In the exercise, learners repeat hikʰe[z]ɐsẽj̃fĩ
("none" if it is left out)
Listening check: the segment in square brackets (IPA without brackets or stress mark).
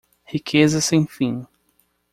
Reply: z